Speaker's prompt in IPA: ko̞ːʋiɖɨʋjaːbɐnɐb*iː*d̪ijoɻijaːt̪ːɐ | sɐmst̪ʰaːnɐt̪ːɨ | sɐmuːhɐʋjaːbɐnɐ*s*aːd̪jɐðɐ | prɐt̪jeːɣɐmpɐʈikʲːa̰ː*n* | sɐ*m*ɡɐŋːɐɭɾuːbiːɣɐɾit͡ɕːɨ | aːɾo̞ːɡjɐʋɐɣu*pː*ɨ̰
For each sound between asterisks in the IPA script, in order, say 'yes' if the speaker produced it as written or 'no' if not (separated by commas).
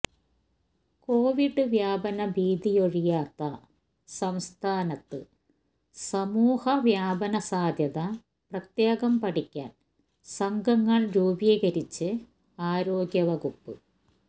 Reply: yes, yes, yes, no, yes